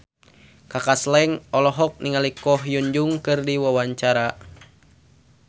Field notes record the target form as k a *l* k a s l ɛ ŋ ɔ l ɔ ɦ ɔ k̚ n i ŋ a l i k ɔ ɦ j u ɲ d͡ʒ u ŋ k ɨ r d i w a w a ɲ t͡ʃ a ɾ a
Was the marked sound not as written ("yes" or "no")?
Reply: yes